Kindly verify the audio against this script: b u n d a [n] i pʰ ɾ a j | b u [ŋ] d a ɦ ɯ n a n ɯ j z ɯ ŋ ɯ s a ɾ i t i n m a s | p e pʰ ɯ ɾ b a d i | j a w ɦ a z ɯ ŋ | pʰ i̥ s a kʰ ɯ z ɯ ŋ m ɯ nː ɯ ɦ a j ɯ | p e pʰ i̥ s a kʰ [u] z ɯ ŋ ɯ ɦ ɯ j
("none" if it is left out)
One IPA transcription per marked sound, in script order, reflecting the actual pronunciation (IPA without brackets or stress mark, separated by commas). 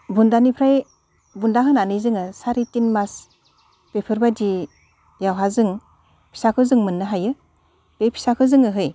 n, n, ɯ